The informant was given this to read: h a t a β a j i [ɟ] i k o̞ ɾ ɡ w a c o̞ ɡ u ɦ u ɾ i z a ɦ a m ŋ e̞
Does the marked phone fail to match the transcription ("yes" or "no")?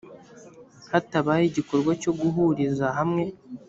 no